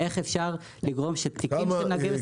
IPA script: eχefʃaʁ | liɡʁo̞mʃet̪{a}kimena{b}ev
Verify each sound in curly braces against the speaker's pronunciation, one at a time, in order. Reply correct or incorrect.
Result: incorrect, incorrect

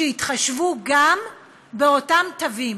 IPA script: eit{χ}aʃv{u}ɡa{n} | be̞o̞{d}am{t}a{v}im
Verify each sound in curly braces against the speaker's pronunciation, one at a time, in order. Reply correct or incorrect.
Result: correct, correct, incorrect, incorrect, correct, correct

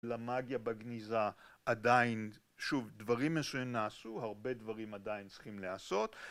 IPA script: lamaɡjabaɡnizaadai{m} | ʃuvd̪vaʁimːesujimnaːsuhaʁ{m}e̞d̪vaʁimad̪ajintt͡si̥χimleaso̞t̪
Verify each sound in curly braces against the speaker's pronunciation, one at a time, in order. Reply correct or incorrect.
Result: incorrect, incorrect

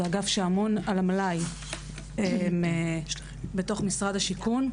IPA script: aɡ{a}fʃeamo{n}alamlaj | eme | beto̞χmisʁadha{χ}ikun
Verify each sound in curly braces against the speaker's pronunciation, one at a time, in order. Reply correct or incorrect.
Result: correct, correct, incorrect

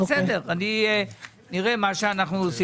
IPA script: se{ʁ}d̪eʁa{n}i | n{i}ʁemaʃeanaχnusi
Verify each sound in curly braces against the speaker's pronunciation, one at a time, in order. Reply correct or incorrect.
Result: incorrect, correct, correct

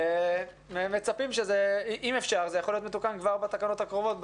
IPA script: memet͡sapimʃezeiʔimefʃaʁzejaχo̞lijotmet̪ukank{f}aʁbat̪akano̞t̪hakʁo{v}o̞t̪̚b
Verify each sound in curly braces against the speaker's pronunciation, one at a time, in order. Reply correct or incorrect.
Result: incorrect, correct

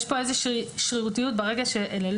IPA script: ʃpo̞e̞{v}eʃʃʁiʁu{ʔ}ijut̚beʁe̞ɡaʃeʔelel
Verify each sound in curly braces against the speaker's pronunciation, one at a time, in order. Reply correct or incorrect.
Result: incorrect, incorrect

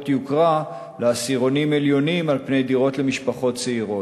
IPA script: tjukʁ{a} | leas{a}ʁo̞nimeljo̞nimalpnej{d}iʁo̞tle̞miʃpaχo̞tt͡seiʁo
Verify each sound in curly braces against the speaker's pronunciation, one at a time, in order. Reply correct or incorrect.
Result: correct, incorrect, correct

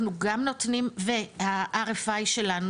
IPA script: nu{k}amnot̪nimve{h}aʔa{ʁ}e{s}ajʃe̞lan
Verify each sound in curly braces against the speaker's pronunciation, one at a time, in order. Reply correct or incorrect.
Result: incorrect, correct, correct, incorrect

